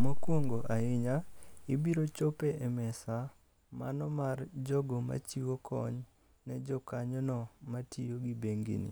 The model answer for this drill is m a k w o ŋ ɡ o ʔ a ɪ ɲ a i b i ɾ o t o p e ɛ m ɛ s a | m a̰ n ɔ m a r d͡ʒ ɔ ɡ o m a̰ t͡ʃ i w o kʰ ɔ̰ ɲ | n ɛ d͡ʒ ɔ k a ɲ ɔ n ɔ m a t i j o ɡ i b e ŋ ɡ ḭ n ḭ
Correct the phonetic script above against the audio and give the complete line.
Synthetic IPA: m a k w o ŋ ɡ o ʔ a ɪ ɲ a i b i ɾ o t͡ʃ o p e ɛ m ɛ s a | m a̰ n ɔ m a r d͡ʒ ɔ ɡ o m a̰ t͡ʃ i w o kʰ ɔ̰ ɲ | n ɛ d͡ʒ ɔ k a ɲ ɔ n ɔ m a t i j o ɡ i b e ŋ ɡ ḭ n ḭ